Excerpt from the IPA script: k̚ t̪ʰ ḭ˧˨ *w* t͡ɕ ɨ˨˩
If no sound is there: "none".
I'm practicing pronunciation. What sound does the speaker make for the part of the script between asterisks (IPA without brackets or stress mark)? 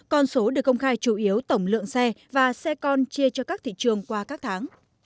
none